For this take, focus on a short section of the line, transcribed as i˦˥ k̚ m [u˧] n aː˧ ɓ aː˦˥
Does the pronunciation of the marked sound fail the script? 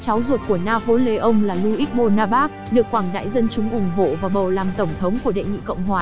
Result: yes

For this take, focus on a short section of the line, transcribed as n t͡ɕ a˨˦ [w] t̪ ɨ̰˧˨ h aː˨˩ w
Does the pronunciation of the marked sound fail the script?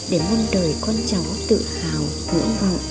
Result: no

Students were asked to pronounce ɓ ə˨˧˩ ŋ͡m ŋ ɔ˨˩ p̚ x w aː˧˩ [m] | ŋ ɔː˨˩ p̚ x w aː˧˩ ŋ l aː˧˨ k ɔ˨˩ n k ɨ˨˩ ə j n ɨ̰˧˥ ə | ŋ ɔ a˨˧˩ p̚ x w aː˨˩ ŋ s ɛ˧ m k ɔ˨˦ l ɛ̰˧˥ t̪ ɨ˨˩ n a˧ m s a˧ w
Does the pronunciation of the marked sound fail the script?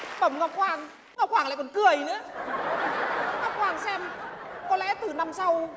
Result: yes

